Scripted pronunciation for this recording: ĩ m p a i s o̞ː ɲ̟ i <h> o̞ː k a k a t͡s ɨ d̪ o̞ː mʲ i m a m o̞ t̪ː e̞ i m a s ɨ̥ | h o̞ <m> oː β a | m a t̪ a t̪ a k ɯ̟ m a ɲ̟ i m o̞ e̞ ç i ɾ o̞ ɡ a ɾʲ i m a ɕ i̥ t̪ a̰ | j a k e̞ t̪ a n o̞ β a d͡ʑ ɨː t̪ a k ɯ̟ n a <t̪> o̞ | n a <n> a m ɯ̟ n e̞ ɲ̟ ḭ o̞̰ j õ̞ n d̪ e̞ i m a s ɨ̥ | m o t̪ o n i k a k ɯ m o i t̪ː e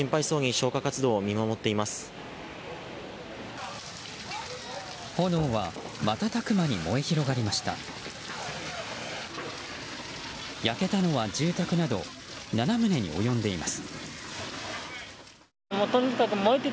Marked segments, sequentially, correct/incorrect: incorrect: ɕ, incorrect: n, incorrect: d̪, correct

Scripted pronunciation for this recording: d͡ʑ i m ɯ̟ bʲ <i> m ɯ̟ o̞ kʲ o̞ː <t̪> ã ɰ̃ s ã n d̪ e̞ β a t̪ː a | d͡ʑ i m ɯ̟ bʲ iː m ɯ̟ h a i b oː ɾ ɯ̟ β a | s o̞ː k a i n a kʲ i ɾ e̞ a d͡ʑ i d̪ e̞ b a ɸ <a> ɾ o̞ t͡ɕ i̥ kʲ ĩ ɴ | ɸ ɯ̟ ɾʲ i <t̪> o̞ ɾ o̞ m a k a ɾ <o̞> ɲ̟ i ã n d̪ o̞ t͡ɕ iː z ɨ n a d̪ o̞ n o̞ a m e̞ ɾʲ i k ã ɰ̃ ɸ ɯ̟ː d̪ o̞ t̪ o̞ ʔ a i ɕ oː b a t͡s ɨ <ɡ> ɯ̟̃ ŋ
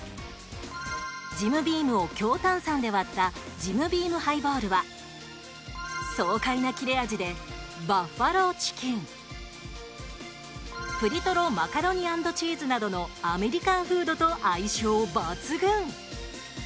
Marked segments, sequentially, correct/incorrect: incorrect: iː, correct, correct, correct, correct, correct

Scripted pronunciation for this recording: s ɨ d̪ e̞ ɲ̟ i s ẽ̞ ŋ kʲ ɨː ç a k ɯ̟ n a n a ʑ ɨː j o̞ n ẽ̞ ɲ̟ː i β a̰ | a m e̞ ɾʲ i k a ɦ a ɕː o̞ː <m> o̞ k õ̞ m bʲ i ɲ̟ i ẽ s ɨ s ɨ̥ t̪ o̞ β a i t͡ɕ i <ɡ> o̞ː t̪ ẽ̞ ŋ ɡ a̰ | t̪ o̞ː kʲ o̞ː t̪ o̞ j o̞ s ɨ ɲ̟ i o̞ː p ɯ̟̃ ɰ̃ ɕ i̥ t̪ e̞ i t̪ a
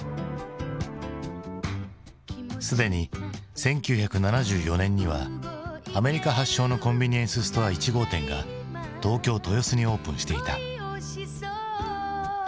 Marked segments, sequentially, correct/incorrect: incorrect: n, correct

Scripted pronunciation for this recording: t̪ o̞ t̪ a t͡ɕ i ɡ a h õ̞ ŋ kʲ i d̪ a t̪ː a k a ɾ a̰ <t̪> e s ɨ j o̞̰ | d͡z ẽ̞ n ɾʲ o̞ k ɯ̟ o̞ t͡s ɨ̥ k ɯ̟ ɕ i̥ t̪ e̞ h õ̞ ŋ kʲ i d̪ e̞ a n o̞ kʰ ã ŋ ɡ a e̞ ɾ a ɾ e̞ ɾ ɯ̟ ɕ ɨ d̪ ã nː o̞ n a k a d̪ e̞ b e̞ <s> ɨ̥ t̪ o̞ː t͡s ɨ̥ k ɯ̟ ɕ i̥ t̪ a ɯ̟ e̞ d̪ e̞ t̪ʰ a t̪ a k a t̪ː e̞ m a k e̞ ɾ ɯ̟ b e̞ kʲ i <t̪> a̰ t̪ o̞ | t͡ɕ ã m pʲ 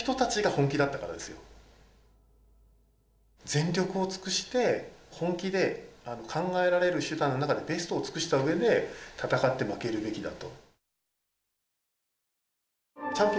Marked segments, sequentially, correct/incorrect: incorrect: d̪, correct, incorrect: d̪

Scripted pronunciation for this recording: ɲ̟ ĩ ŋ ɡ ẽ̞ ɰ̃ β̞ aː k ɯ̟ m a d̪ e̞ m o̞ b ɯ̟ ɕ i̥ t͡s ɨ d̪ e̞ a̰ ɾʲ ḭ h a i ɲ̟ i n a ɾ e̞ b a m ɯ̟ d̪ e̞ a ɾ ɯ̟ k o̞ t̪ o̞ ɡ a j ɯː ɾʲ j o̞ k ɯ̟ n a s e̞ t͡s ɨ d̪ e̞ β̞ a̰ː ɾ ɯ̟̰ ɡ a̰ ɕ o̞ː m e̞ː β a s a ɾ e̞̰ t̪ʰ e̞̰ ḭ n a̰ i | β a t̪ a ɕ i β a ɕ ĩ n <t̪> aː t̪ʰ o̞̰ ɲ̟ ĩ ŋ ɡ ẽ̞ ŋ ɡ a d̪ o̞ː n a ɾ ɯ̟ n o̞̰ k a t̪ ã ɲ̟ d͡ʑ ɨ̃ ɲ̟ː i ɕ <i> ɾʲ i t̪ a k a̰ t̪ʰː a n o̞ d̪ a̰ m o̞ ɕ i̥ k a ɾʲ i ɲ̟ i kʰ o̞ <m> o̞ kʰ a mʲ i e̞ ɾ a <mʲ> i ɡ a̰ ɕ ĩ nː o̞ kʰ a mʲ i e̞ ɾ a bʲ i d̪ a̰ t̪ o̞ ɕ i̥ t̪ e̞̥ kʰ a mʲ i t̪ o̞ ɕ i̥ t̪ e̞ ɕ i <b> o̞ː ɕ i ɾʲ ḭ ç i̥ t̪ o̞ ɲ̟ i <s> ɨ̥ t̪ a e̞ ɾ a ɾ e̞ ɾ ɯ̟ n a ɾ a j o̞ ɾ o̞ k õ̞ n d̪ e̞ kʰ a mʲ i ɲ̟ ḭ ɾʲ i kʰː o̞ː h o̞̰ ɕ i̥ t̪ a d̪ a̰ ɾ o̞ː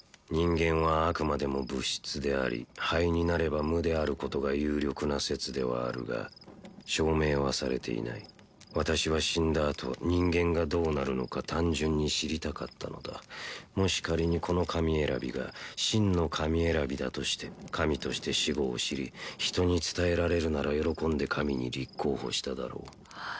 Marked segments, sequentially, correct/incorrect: incorrect: d̪, correct, incorrect: n, incorrect: bʲ, incorrect: ɡ, incorrect: t͡s

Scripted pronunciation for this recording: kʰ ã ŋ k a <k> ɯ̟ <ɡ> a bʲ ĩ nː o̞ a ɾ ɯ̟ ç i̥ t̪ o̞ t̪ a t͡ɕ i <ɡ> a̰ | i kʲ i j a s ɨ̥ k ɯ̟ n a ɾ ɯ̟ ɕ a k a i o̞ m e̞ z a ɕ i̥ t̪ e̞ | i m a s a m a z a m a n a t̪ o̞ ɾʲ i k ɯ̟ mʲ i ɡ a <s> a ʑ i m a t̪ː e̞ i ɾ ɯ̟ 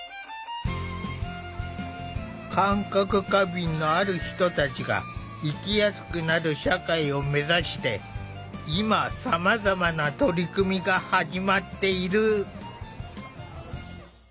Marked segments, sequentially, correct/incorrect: correct, incorrect: k, correct, incorrect: h

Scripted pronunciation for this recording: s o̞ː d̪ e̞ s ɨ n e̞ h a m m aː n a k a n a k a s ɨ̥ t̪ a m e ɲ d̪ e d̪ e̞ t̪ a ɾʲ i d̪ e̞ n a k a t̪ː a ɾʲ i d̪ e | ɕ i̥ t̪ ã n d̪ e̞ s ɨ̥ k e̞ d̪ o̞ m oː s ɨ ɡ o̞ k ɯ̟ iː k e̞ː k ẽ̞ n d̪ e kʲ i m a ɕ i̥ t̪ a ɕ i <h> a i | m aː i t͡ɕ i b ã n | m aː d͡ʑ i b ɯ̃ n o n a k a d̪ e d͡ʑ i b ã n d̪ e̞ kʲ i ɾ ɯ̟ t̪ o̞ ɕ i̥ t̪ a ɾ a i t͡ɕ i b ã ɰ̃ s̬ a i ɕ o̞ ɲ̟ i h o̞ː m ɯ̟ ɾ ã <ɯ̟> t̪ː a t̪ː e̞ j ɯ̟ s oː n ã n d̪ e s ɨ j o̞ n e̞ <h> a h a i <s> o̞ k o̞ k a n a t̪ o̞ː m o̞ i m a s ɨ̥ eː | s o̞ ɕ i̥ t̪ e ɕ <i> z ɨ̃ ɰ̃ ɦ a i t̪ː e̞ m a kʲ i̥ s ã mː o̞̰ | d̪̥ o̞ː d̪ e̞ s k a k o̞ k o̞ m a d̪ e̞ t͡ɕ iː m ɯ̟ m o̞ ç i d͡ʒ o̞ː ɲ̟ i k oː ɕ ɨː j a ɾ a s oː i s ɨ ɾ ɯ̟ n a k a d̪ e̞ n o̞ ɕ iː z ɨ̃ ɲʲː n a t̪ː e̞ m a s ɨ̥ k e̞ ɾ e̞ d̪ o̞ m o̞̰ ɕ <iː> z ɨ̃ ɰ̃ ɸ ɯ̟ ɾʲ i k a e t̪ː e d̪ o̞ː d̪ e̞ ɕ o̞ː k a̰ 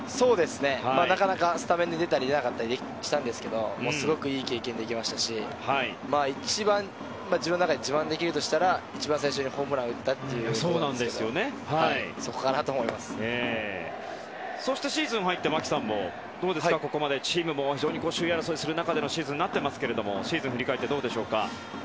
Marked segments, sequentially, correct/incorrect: correct, correct, correct, correct, incorrect: iː, correct

